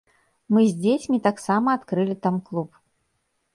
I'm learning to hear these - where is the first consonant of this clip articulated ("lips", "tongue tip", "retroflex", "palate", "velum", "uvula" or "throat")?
lips